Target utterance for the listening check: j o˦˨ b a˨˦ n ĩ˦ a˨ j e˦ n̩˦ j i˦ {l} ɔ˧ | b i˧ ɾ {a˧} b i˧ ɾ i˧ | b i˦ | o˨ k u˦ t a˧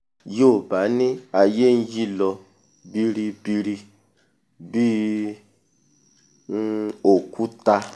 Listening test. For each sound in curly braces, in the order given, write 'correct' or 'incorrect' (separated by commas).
correct, incorrect